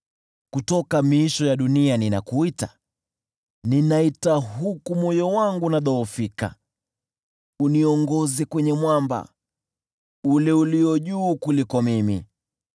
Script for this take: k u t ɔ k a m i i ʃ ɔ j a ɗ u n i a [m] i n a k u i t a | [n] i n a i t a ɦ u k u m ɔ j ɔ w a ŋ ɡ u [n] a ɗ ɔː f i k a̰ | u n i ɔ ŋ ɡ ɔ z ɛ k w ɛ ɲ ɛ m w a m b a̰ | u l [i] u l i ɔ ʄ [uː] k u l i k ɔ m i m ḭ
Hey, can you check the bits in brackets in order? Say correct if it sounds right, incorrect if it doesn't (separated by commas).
incorrect, correct, correct, incorrect, correct